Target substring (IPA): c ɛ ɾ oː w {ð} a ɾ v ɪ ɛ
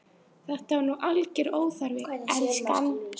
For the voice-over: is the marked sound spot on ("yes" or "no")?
no